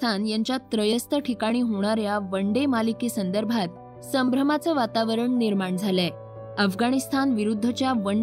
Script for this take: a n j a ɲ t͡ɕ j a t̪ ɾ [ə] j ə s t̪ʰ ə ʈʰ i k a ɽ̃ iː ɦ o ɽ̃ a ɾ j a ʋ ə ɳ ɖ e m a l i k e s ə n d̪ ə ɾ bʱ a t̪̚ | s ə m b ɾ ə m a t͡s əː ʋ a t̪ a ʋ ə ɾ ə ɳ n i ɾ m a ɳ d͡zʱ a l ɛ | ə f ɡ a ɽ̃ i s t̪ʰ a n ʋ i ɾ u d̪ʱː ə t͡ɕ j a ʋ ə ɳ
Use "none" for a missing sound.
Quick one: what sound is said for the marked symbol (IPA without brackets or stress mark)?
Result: ə